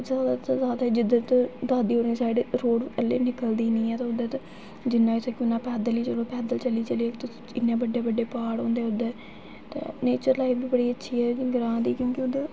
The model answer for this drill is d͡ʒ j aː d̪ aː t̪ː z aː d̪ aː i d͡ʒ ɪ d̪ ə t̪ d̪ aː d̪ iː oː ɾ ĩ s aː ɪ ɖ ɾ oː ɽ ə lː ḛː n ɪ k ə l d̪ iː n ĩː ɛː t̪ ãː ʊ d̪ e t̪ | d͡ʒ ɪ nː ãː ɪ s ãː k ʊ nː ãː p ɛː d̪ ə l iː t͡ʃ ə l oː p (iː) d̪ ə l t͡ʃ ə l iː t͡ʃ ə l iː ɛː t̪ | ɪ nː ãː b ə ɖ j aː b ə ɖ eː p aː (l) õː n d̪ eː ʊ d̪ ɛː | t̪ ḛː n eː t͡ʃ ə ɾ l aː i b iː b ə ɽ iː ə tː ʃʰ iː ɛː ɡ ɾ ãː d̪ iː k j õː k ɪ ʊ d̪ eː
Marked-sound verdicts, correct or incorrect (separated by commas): incorrect, incorrect